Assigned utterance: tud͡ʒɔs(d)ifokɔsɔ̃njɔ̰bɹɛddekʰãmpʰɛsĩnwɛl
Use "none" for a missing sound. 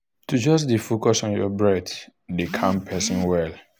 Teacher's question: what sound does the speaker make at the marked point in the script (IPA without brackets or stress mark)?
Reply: d